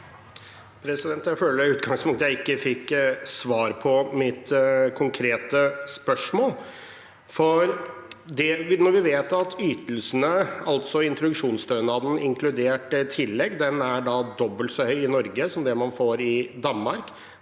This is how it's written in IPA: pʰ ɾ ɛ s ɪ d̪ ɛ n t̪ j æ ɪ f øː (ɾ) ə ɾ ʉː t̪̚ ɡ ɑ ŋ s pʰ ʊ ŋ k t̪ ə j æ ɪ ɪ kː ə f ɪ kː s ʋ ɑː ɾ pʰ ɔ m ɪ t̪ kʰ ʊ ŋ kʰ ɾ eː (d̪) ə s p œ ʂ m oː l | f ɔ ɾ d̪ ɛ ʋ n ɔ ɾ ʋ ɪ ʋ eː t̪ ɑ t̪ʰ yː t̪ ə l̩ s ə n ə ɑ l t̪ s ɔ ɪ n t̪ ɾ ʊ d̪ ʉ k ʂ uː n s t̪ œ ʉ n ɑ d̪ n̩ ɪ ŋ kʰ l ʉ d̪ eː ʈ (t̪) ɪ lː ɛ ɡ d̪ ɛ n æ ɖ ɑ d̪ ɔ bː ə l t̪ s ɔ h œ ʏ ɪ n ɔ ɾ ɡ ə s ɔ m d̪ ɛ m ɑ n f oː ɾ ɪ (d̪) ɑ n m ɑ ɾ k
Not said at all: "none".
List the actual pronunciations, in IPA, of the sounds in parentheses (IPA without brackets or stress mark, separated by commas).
l, t̪, t̪ʰ, d̪